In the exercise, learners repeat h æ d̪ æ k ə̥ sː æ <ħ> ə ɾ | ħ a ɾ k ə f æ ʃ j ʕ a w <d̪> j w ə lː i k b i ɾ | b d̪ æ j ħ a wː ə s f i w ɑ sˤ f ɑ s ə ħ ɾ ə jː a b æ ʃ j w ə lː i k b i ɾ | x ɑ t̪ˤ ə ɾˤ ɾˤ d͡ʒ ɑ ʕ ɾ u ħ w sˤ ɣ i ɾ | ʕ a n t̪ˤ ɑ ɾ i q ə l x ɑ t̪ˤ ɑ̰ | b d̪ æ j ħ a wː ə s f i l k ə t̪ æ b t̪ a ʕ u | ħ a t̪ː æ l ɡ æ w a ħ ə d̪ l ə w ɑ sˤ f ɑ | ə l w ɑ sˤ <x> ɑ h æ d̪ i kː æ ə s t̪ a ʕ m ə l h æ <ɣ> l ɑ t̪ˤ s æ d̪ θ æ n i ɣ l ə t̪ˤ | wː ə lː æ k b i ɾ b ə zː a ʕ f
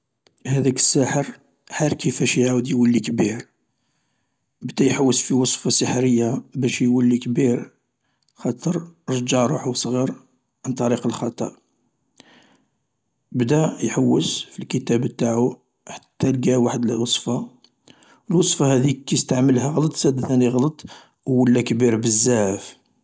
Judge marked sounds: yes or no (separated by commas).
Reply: yes, yes, no, yes